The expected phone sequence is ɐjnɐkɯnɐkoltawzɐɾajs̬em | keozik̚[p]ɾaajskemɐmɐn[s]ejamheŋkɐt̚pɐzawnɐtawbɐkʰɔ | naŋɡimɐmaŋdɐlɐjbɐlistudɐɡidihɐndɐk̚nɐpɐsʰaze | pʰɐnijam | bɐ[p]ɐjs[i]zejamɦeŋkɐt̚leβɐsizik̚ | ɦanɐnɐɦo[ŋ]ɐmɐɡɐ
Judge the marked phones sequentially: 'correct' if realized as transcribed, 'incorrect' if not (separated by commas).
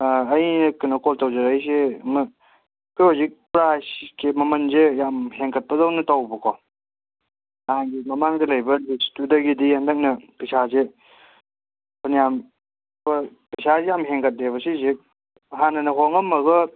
correct, incorrect, correct, incorrect, correct